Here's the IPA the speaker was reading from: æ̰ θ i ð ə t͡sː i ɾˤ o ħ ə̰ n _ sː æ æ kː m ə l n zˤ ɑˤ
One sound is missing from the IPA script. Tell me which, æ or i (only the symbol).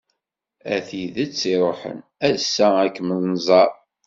æ